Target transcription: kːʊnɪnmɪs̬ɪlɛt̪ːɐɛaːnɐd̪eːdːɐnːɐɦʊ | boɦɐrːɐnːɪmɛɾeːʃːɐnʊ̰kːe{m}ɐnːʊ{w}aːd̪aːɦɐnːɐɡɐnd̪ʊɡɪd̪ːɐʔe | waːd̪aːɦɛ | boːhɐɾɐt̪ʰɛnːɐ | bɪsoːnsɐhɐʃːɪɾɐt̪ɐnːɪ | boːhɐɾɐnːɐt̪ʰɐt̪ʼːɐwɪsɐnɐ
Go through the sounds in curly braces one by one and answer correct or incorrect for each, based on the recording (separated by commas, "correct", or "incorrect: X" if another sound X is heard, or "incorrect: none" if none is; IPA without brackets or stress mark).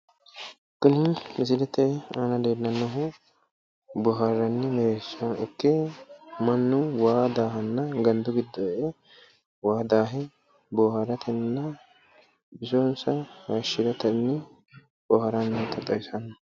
correct, correct